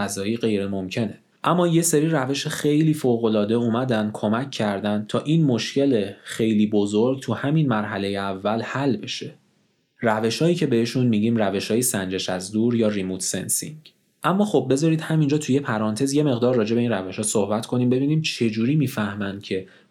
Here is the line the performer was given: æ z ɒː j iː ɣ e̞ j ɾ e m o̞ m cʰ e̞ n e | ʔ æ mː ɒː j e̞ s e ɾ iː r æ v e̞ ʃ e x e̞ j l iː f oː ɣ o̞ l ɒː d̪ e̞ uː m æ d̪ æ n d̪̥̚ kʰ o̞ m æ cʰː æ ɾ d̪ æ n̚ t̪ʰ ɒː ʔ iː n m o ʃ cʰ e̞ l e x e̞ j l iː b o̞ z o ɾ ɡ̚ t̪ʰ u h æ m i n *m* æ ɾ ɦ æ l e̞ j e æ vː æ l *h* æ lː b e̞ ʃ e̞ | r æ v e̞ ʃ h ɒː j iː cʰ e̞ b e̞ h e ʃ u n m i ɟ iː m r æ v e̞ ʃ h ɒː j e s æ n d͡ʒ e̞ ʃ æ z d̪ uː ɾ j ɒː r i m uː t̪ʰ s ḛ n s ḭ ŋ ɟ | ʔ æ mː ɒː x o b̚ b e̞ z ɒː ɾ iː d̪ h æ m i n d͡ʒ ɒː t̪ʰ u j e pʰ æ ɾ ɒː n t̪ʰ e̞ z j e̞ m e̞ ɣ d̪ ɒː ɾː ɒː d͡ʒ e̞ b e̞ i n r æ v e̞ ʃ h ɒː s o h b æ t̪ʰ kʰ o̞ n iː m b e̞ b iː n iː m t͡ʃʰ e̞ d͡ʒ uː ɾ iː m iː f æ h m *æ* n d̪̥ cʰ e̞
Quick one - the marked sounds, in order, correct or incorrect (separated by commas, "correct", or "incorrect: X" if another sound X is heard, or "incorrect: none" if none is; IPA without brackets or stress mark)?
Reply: correct, correct, correct